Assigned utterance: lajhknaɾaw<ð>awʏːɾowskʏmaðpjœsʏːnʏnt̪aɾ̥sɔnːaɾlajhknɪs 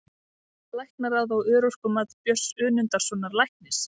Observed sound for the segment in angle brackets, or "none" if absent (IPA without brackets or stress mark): ð